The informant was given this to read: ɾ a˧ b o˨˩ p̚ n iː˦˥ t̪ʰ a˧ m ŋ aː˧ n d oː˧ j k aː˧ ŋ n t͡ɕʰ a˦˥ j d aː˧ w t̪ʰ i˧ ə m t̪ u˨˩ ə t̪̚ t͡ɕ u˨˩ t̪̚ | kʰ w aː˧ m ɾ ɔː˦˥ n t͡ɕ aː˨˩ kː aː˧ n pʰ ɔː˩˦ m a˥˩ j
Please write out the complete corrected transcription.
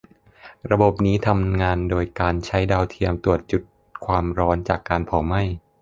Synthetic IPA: ɾ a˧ b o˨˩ p̚ n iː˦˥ t̪ʰ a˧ m ŋ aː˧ n d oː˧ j k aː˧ n t͡ɕʰ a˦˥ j d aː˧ w t̪ʰ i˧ ə m t̪ u˨˩ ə t̪̚ t͡ɕ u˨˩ t̪̚ | kʰ w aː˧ m ɾ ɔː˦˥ n t͡ɕ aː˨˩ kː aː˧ n pʰ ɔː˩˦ m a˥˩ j